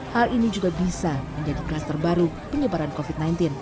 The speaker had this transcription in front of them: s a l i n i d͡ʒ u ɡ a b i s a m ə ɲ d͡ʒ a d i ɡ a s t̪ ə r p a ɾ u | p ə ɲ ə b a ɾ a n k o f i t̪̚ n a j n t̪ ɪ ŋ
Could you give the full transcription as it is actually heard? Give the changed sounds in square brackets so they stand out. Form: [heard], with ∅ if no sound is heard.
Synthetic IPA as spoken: [h] a l i n i d͡ʒ u ɡ a b i s a m ə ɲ d͡ʒ a d i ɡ a s t̪ ə r [b] a ɾ u | p ə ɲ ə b a ɾ a n k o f i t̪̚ n a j n t̪ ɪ [n]